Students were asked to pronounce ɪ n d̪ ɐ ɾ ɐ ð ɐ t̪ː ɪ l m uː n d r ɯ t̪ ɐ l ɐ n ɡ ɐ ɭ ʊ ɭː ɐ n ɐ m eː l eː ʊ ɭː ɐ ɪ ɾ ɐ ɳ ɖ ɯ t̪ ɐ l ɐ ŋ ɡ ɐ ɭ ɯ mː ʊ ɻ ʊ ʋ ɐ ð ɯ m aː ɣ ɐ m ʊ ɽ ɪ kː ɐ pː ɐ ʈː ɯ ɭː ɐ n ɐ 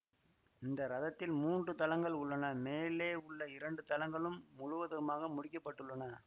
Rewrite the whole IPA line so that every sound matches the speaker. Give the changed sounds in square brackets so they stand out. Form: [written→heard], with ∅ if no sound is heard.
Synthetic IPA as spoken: ɪ n d̪ ɐ ɾ ɐ ð ɐ t̪ː ɪ l m uː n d r ɯ t̪ ɐ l ɐ [n→ŋ] ɡ ɐ ɭ ʊ ɭː ɐ n ɐ m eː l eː ʊ ɭː ɐ ɪ ɾ ɐ ɳ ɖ ɯ t̪ ɐ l ɐ ŋ ɡ ɐ ɭ ɯ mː ʊ ɻ ʊ ʋ ɐ ð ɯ m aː ɣ ɐ m ʊ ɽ ɪ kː ɐ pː ɐ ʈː ɯ ɭː ɐ n ɐ